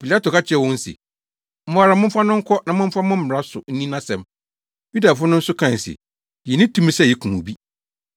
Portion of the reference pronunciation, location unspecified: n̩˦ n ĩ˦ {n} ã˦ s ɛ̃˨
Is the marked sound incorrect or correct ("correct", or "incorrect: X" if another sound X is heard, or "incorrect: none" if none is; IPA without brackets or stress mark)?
correct